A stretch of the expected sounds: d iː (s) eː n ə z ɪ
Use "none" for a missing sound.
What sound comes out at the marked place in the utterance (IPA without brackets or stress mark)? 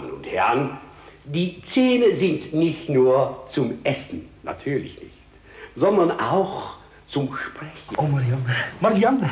t͡s